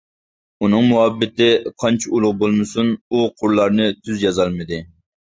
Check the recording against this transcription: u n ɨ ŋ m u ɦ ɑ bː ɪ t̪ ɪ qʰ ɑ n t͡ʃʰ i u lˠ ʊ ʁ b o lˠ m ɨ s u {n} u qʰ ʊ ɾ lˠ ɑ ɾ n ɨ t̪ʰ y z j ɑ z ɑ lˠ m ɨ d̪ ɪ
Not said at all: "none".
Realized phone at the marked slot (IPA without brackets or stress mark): n